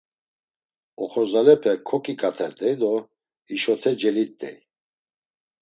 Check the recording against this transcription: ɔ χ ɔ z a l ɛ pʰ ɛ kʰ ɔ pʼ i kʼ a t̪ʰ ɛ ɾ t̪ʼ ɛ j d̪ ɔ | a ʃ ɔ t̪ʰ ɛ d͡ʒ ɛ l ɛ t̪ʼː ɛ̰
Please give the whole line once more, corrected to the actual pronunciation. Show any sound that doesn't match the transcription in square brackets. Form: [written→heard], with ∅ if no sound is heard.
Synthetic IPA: ɔ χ ɔ z a l ɛ pʰ ɛ kʰ ɔ [pʼ→kʼ] i kʼ a t̪ʰ ɛ ɾ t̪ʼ ɛ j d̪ ɔ | [a→i] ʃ ɔ t̪ʰ ɛ d͡ʒ ɛ l [ɛ→i] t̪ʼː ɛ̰